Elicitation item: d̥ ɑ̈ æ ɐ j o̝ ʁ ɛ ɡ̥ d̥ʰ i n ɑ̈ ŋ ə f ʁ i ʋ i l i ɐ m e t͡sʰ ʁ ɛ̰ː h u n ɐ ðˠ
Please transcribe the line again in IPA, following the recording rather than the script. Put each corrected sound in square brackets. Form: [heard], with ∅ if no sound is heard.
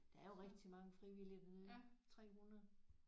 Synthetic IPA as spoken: d̥ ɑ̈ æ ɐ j o̝ ʁ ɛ ɡ̥ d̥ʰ i [m] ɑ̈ ŋ ə f ʁ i ʋ i l i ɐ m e t͡sʰ ʁ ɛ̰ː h u n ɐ ðˠ